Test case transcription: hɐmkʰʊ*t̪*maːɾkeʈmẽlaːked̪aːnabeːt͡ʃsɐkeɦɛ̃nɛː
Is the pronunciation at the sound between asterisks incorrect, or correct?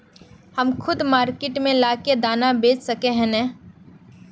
incorrect: d̪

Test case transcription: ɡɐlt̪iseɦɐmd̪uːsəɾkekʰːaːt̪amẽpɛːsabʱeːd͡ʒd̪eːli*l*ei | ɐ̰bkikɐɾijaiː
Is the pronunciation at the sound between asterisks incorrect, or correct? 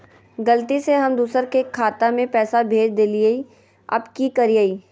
incorrect: none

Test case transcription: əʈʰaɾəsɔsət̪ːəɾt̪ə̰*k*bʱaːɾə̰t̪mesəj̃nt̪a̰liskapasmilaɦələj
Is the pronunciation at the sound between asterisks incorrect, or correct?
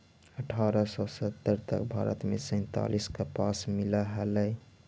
correct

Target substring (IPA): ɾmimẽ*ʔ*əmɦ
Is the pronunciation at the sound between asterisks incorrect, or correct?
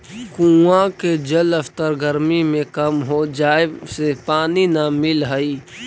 incorrect: k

